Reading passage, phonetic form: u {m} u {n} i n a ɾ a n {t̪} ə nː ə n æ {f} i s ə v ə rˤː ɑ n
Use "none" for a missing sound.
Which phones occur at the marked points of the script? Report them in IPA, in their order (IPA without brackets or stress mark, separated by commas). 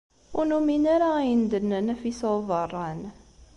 n, m, d̪, f